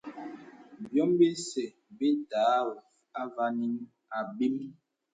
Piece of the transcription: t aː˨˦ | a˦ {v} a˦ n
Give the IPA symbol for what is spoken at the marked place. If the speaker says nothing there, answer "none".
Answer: v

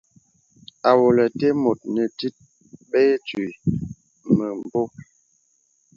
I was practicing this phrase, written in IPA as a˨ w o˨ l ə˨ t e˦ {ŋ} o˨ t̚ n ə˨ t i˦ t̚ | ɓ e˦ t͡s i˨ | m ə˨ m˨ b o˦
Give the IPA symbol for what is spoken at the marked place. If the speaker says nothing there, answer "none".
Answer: m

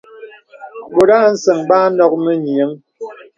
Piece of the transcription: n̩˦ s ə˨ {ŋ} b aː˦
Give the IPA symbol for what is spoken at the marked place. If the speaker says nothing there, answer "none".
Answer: ŋ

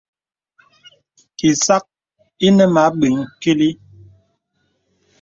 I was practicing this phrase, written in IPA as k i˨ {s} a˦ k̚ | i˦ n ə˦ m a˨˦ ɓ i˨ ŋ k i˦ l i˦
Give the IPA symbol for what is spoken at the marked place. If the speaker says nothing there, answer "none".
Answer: s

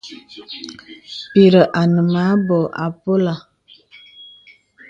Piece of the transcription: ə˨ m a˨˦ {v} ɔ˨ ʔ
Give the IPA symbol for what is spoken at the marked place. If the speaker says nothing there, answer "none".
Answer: b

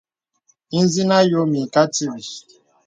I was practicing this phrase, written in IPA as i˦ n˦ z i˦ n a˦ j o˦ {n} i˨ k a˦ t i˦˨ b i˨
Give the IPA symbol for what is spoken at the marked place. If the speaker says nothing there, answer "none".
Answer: m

